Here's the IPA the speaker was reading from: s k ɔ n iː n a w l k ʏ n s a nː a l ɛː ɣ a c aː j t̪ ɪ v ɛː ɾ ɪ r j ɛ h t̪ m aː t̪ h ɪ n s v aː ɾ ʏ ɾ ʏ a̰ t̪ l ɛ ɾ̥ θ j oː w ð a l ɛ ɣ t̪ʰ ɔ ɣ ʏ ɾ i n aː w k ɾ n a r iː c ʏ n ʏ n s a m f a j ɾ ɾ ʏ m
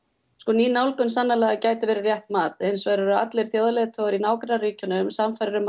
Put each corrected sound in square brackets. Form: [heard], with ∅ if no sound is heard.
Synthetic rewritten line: s k ɔ n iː n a w l k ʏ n s a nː a l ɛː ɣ a c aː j t̪ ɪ v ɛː ɾ ɪ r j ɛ h t̪ m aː t̪ h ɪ n s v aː ɾ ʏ ɾ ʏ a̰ t̪ l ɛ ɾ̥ θ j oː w ð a l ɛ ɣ t̪ʰ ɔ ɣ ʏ ɾ i n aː w k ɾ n a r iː c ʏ n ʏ [m] s a m f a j ɾ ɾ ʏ m